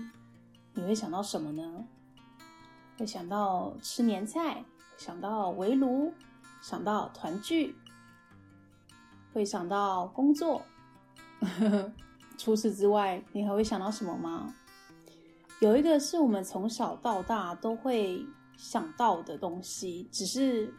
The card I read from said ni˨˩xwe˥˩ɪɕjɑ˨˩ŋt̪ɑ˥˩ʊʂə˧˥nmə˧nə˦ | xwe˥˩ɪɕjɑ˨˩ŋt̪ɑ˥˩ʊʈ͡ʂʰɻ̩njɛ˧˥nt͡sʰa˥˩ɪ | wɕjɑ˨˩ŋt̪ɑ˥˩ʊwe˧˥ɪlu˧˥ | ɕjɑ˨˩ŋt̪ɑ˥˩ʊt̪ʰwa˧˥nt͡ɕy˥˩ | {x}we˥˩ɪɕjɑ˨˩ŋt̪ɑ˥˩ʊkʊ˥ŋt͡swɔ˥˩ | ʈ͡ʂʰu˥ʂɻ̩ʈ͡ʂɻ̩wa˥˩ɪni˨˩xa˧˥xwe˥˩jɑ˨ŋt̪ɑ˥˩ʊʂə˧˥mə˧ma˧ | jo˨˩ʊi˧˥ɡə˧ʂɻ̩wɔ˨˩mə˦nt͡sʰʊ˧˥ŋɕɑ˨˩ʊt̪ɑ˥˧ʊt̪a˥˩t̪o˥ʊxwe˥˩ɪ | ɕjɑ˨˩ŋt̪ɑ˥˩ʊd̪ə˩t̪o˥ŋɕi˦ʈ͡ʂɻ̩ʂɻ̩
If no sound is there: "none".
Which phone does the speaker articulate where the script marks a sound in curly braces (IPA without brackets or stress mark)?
x